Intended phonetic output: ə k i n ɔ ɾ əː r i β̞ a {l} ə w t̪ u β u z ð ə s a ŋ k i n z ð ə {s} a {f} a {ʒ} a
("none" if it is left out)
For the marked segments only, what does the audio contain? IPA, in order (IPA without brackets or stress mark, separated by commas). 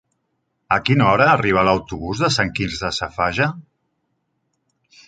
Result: l, s, f, ʒ